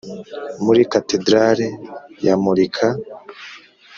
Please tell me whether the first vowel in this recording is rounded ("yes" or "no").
yes